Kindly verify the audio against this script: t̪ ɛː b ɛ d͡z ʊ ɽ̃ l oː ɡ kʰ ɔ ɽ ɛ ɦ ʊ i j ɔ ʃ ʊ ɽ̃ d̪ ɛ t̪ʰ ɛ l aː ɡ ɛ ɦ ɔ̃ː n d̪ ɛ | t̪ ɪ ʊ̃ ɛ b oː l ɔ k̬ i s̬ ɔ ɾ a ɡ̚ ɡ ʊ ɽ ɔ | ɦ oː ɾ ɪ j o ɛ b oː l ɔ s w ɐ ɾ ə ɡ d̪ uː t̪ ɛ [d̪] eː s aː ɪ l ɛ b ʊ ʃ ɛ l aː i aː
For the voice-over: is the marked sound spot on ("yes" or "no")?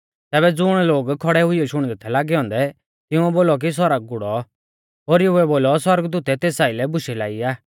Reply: no